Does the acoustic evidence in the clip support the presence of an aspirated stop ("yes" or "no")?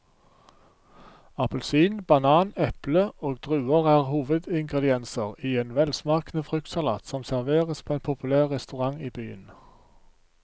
yes